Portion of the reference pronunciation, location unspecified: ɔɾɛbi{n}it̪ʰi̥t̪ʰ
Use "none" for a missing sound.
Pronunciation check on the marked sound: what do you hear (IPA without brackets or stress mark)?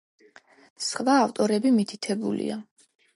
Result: m